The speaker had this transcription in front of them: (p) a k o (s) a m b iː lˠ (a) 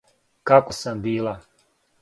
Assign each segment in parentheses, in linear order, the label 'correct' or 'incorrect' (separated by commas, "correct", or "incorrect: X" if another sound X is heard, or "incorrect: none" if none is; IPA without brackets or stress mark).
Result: incorrect: k, correct, correct